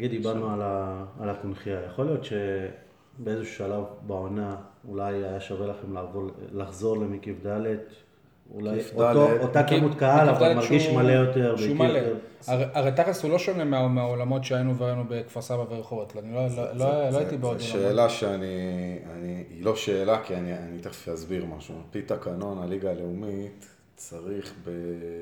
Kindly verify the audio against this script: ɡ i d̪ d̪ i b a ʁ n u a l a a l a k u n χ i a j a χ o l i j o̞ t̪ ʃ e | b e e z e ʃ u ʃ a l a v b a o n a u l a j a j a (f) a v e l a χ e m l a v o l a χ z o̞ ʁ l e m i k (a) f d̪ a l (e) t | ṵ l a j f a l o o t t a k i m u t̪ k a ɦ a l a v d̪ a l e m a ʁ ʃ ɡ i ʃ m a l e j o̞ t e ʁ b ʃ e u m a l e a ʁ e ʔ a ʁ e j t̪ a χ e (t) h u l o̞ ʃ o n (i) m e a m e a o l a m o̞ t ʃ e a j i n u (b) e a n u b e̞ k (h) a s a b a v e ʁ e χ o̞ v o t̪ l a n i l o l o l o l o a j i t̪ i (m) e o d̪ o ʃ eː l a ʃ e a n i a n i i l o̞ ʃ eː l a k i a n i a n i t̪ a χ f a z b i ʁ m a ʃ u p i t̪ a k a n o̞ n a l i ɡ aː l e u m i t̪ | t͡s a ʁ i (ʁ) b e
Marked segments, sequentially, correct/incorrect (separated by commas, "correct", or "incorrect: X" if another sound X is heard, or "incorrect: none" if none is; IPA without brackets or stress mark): incorrect: ʃ, incorrect: i, correct, incorrect: s, incorrect: e, incorrect: v, incorrect: f, incorrect: b, incorrect: χ